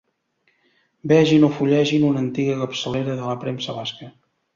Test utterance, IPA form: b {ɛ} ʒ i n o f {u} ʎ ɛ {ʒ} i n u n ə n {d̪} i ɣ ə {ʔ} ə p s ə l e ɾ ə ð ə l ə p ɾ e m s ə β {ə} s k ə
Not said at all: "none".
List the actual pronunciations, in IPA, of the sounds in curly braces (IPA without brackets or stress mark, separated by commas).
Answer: ɛ, u, ʒ, t̪, k, a